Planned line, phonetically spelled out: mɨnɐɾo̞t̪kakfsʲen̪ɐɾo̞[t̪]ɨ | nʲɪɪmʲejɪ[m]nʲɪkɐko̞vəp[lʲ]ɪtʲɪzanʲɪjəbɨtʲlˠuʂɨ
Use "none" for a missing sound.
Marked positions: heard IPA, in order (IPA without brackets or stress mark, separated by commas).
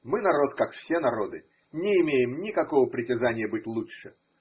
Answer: d̪, m, ɾʲ